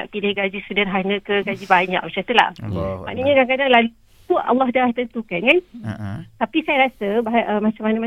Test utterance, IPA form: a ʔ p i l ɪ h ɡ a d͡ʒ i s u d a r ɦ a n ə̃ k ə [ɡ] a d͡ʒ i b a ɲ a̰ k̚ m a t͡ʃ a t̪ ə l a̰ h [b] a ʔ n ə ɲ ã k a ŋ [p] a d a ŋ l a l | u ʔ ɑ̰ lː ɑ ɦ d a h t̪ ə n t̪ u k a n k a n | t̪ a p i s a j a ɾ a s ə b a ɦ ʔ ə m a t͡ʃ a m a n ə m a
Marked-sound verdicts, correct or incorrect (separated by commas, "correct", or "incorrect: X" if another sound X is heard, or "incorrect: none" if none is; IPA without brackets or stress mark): correct, incorrect: m, incorrect: k